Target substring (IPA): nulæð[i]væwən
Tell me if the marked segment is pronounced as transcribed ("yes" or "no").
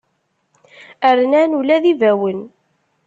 yes